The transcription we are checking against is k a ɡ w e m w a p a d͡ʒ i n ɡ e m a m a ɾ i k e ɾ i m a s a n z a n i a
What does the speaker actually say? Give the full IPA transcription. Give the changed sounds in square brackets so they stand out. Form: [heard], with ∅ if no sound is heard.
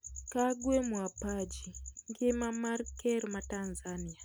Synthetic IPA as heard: k a ɡ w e m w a p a d͡ʒ i [ŋ] ɡ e m a m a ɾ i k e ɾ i m a [t] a n z a n i a